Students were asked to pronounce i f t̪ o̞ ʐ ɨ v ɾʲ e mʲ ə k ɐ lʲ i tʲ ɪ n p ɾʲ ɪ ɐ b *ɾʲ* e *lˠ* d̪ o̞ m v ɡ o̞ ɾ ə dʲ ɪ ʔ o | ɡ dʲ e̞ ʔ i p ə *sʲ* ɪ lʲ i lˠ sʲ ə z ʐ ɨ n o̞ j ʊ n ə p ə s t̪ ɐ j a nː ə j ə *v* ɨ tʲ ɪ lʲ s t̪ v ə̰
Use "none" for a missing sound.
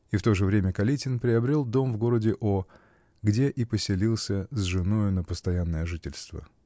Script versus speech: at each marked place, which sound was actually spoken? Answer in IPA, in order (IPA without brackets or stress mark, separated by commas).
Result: ɾʲ, lˠ, sʲ, ʐ